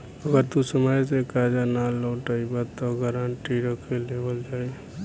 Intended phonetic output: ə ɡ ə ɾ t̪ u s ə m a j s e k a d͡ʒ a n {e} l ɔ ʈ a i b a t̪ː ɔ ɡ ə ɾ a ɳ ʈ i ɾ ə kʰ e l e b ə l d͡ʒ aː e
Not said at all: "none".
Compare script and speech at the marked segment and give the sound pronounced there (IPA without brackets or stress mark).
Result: a